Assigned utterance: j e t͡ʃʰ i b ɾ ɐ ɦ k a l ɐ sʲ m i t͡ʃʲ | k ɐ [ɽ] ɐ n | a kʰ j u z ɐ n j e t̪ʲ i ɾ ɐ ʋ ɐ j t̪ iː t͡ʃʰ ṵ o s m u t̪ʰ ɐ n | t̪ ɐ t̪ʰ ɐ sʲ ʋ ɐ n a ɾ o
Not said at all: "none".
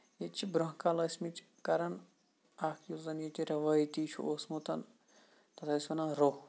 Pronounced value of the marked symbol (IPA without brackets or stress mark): ɾ